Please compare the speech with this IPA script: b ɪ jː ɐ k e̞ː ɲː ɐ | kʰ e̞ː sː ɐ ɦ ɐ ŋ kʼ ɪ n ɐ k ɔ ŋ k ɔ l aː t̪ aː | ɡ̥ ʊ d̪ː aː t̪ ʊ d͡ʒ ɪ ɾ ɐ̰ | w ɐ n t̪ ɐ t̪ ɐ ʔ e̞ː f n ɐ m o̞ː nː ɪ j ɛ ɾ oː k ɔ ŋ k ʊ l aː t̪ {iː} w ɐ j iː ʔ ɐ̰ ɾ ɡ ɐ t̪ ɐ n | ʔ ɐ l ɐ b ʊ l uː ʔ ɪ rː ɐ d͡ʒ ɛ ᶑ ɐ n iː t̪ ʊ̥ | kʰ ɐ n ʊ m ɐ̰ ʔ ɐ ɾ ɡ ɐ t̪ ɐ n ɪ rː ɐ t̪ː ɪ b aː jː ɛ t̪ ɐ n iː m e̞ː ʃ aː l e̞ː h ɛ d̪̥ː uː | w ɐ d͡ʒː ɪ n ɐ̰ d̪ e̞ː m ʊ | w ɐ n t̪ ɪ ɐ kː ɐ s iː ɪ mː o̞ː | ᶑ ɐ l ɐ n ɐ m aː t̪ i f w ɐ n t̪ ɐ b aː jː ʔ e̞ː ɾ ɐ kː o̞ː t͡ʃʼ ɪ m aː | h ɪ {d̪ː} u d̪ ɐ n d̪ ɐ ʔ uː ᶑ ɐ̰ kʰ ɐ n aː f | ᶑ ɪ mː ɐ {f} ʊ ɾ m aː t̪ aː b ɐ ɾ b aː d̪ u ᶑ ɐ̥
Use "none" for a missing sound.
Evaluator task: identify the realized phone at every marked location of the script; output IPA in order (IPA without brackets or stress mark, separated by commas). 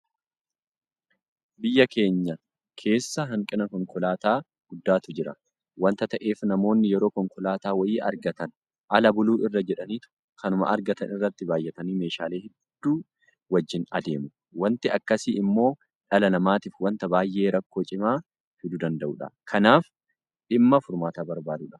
aː, d̪, f